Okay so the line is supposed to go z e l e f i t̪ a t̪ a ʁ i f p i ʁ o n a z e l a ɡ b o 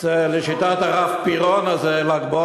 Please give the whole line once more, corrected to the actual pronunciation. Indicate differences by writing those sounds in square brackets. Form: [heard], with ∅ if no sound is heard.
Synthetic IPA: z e l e [ʃ] i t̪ a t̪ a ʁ [a] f p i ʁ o n a z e l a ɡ b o